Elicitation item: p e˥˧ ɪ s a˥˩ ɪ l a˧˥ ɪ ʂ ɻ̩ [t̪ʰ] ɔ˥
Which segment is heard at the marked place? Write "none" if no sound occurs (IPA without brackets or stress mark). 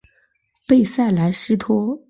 t̪ʰ